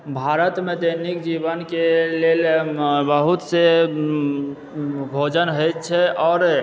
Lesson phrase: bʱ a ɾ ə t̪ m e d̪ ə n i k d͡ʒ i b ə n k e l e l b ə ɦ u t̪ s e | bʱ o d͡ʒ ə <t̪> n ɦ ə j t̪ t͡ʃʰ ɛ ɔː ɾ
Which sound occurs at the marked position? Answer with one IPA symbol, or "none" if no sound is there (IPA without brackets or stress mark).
none